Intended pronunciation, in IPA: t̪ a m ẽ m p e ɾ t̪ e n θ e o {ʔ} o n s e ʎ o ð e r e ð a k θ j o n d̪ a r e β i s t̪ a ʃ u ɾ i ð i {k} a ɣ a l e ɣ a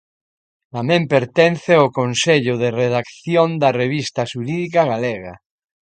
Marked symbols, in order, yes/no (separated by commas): no, yes